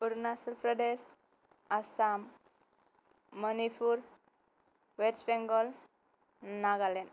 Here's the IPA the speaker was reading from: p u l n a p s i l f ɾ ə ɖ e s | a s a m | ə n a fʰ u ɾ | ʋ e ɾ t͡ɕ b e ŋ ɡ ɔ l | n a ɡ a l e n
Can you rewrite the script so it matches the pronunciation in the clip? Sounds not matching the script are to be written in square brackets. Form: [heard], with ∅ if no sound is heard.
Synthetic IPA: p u [ɾ] n a [∅] s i l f ɾ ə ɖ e s | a s a m | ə n [i] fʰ u ɾ | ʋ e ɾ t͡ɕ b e ŋ ɡ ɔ l | n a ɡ a l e n

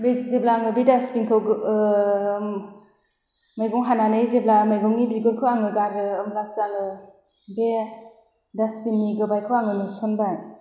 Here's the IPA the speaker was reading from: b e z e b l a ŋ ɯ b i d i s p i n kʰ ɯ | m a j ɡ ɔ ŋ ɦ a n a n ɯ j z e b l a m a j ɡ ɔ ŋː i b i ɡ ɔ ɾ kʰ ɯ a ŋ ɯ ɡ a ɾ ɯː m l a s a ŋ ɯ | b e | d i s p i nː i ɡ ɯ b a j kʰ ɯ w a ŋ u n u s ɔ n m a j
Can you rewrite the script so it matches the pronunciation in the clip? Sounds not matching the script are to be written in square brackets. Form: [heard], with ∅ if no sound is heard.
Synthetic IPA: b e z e b l a ŋ ɯ b i d [a] s p i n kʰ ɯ | m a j ɡ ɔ ŋ ɦ a n a n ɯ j z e b l a m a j ɡ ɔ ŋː i b i ɡ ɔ ɾ kʰ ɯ a ŋ ɯ ɡ a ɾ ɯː m l a s a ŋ ɯ | b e | d [a] s p i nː i ɡ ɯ b a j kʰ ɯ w a ŋ [ɯ] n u s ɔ n [b] a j

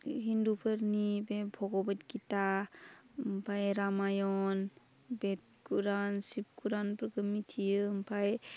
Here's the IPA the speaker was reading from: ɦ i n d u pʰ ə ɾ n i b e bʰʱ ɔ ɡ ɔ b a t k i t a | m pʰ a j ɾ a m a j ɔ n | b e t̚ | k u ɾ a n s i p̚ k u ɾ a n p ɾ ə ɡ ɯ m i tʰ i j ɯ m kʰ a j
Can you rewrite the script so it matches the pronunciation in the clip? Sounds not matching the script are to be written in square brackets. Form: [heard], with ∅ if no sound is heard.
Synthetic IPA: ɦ i n d u pʰ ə ɾ n i b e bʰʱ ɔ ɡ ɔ b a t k i t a | m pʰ a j ɾ a m a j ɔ n | b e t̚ | k u ɾ a n s i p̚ k u ɾ a n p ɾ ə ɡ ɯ m i tʰ i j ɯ m [pʰ] a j

